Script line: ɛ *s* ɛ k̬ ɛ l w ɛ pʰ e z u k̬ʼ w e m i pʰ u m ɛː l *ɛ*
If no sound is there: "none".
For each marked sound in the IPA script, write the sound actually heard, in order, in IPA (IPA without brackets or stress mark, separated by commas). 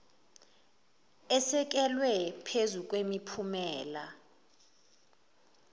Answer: s, a